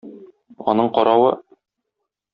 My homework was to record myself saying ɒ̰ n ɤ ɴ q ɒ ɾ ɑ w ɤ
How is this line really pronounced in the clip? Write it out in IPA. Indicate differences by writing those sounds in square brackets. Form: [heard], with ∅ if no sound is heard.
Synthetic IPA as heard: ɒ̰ n ɤ ɴ q ɒ ɾ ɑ w ɤ

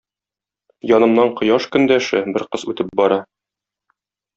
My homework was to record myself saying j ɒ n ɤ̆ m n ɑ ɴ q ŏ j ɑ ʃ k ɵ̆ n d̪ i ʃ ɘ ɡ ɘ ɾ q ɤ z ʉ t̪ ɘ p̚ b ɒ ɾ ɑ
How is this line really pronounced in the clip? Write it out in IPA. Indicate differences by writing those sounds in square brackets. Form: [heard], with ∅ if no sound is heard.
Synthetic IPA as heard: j ɒ n ɤ̆ m n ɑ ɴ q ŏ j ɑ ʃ k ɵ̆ n d̪ [æ] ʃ ɘ [b] ɘ ɾ q ɤ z ʉ t̪ ɘ p̚ b ɒ ɾ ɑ

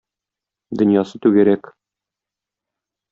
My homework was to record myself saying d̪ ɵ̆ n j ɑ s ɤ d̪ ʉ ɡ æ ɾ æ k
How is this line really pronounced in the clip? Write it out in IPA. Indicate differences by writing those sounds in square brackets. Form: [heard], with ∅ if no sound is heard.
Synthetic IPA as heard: d̪ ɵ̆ n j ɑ s ɤ [t̪] ʉ ɡ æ ɾ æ k

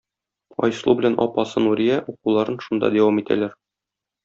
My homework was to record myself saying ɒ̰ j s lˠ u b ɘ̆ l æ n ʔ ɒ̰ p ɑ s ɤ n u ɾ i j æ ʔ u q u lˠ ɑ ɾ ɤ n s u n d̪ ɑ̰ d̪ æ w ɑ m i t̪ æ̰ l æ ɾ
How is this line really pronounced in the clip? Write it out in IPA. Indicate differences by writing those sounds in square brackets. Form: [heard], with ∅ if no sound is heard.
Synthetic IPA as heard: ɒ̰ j s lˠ u b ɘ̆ l æ n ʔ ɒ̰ p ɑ s ɤ n u ɾ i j æ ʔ u q u lˠ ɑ ɾ ɤ n [ʃ] u n d̪ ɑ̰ d̪ æ w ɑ m i t̪ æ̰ l æ ɾ

